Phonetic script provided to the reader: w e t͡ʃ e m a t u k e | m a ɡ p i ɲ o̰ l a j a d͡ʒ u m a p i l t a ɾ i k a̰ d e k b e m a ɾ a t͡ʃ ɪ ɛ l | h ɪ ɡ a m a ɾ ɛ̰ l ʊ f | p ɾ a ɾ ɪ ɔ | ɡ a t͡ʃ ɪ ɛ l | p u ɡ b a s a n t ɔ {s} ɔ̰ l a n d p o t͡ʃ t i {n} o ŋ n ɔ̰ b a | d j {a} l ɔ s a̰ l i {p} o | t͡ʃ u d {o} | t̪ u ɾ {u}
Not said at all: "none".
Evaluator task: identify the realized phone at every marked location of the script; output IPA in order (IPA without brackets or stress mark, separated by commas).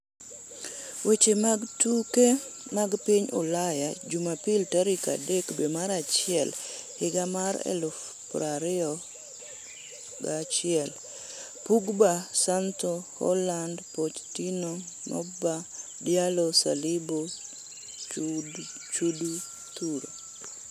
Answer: h, n, a, b, u, o